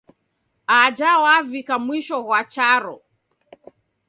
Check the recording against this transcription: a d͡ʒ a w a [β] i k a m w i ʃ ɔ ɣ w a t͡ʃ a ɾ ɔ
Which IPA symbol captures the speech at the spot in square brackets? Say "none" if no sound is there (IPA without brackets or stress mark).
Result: v